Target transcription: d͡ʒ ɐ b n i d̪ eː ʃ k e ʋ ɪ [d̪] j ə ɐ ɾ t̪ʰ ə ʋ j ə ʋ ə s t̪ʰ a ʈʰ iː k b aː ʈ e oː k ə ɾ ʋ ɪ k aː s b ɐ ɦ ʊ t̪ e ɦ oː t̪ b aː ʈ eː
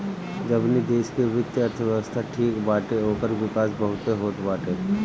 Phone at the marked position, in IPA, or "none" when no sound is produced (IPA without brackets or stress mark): t̪